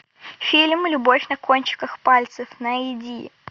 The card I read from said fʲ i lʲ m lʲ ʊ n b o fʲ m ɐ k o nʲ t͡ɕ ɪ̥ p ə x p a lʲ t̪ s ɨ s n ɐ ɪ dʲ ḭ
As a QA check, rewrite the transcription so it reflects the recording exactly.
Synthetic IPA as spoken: fʲ i lʲ m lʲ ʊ b o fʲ n ɐ k o nʲ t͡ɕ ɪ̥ k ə x p a lʲ t̪ s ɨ f n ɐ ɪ dʲ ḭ